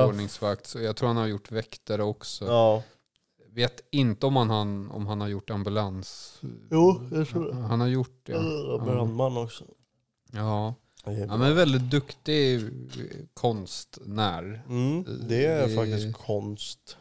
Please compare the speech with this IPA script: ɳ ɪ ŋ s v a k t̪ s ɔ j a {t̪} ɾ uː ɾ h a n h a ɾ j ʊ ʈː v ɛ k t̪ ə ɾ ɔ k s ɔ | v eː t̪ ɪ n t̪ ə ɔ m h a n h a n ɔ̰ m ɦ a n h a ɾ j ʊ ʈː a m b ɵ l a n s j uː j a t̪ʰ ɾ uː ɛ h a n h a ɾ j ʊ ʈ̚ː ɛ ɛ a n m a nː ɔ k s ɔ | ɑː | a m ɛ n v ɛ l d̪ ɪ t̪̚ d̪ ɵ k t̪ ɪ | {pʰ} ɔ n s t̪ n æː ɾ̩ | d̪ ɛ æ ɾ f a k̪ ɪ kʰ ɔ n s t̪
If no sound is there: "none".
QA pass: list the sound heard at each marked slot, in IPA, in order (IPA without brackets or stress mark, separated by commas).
t̪ʰ, kʰ